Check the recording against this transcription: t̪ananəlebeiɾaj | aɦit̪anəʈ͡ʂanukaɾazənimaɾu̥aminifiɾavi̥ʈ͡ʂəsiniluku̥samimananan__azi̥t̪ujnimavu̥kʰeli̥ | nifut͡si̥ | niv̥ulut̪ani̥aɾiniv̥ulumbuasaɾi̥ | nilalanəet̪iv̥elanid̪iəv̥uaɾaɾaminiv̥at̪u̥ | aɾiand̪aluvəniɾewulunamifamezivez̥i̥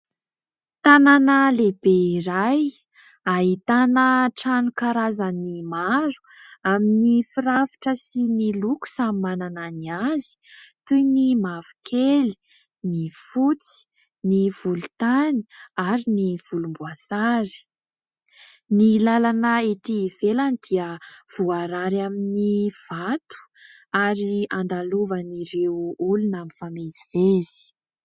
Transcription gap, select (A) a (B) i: B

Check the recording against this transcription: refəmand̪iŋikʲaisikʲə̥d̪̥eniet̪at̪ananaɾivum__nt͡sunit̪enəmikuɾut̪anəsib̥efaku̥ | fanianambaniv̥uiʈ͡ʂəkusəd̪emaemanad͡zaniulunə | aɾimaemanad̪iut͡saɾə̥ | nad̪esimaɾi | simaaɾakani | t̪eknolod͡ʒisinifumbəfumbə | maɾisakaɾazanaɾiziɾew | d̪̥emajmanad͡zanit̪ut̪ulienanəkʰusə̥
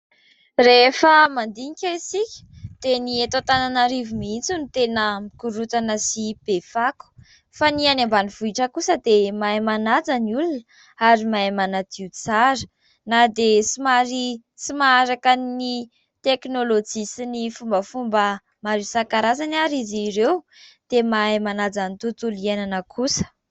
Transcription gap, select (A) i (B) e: A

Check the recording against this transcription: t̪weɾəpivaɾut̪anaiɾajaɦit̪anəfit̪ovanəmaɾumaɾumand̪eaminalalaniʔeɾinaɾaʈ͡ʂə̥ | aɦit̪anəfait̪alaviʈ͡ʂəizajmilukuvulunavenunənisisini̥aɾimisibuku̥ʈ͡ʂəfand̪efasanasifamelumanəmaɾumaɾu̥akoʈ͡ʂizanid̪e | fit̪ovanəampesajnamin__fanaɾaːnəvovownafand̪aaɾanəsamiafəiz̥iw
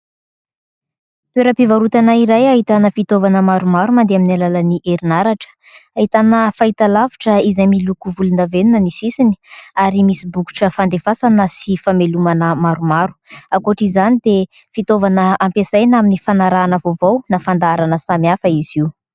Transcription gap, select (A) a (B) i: B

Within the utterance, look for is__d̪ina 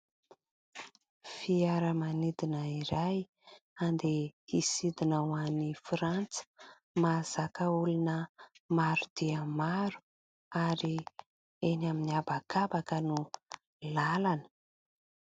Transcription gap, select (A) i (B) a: A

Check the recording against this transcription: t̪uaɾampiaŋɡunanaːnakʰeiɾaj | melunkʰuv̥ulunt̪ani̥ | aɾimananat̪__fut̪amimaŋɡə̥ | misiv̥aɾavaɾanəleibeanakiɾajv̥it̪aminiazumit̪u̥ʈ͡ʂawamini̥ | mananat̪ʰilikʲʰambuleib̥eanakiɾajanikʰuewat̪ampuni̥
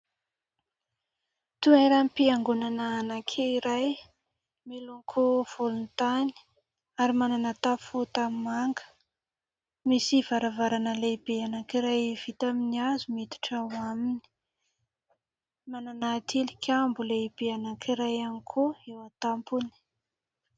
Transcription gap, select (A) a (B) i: A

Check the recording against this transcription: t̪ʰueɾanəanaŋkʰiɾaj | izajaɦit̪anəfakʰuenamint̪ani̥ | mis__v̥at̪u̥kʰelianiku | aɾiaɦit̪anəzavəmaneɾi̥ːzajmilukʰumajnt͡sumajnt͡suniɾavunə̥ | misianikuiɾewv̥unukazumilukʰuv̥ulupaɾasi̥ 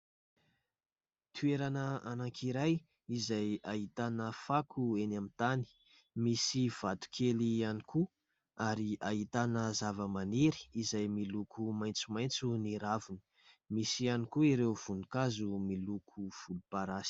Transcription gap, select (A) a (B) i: B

